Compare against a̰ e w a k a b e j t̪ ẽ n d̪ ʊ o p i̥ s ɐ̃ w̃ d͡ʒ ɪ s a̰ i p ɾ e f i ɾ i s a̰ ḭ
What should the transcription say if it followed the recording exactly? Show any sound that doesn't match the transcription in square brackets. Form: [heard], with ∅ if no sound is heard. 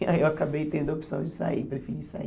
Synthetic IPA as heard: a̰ e w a k a b e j t̪ ẽ n d̪ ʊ o p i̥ s ɐ̃ w̃ d͡ʒ ɪ s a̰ i p ɾ e f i ɾ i s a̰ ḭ